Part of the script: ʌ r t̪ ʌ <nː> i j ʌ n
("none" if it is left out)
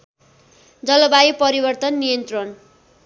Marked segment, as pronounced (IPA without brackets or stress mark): nː